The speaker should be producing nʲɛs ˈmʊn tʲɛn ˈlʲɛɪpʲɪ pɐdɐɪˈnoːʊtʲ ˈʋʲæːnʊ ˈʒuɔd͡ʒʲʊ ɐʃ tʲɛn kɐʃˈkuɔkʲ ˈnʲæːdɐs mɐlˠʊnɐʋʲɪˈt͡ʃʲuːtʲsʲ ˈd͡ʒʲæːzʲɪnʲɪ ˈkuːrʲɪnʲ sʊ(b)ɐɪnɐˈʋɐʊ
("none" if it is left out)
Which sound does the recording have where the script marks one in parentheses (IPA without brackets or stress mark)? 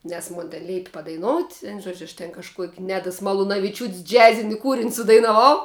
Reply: d